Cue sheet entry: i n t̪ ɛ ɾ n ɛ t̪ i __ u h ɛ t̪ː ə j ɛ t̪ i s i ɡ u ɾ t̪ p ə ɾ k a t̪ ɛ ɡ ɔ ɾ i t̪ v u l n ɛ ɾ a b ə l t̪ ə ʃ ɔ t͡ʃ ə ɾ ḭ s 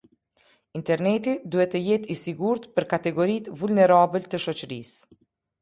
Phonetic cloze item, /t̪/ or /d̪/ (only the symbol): d̪